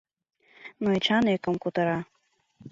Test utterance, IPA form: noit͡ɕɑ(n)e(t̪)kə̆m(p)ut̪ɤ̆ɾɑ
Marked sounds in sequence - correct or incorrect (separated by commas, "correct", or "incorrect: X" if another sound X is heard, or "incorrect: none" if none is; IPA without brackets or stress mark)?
correct, incorrect: none, incorrect: k